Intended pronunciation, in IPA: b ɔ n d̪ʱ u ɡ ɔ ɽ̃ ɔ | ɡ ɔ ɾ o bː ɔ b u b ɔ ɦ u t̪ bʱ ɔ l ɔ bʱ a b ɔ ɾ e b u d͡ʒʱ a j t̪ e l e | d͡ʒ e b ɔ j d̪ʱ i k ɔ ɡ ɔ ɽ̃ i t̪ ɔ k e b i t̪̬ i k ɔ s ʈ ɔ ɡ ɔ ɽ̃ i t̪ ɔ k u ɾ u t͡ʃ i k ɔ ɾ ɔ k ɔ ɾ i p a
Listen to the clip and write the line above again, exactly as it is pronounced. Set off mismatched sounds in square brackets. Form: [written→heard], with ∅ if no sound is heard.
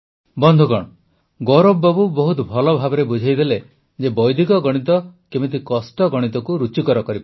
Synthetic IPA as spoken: b ɔ n d̪ʱ u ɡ ɔ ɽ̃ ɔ | ɡ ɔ ɾ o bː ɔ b u b ɔ ɦ u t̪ bʱ ɔ l ɔ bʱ a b ɔ ɾ e b u d͡ʒʱ a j [t̪→d̪] e l e | d͡ʒ e b ɔ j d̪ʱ i k ɔ ɡ ɔ ɽ̃ i t̪ ɔ k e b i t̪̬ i k ɔ s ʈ ɔ ɡ ɔ ɽ̃ i t̪ ɔ k u ɾ u t͡ʃ i k ɔ ɾ ɔ k ɔ ɾ i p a